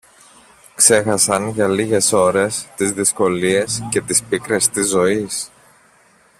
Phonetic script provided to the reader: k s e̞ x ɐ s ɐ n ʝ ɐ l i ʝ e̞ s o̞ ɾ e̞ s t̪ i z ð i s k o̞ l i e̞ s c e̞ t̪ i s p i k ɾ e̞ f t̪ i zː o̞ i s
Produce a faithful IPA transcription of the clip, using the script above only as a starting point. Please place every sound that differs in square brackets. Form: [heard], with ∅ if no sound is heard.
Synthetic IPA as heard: k s e̞ x ɐ s ɐ n ʝ ɐ l i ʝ e̞ s o̞ ɾ e̞ s t̪ i z ð i s k o̞ l i e̞ s c e̞ t̪ i s p i k ɾ e̞ [s] t̪ i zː o̞ i s